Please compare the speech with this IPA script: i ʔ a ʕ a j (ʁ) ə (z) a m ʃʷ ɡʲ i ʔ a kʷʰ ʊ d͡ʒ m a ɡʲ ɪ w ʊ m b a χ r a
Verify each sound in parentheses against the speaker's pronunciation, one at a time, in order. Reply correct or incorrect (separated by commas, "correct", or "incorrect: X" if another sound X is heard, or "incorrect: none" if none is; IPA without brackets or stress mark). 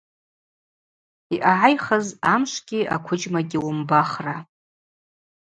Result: incorrect: χ, correct